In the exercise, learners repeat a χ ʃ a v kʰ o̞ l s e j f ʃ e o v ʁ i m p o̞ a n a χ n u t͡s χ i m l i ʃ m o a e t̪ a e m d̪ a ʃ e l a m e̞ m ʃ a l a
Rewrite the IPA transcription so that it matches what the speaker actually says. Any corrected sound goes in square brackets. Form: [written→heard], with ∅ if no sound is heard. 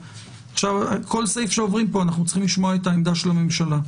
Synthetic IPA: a χ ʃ a v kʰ o̞ l s e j f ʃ e o v ʁ i m p o̞ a n a χ n u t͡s χ i m l i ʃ m o a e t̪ a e m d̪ a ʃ e l a m e̞ m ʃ a l a